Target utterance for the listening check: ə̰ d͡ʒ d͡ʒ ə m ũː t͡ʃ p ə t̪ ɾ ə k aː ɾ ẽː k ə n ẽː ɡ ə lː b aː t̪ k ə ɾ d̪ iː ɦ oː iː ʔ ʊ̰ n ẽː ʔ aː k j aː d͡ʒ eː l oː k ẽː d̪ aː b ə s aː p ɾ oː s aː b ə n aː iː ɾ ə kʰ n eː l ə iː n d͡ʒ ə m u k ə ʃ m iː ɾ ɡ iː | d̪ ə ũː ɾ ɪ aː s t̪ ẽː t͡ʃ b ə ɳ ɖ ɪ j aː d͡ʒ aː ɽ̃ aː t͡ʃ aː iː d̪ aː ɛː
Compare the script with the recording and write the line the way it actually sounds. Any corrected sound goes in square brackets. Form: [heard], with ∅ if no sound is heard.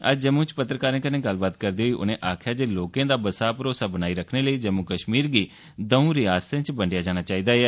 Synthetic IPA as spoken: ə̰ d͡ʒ d͡ʒ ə m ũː t͡ʃ p ə t̪ ɾ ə k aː ɾ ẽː k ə n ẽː ɡ ə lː b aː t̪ k ə ɾ d̪ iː ɦ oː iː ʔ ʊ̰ n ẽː ʔ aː [kʰ] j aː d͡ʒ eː l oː k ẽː d̪ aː b ə s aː p ɾ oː s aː b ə n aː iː ɾ ə kʰ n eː l ə iː [∅] d͡ʒ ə m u k ə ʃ m iː ɾ ɡ iː | d̪ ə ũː ɾ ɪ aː s t̪ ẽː t͡ʃ b ə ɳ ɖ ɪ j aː d͡ʒ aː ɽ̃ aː t͡ʃ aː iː d̪ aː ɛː